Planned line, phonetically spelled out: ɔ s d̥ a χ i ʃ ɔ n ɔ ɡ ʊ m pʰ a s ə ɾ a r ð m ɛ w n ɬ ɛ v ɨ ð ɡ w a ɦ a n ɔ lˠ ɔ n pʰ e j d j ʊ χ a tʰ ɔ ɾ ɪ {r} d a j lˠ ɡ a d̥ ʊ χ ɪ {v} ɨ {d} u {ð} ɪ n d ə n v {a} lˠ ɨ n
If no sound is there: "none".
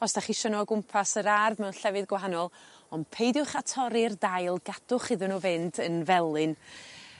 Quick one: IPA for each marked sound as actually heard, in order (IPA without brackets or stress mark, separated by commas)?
r, ð, n, v, ɛ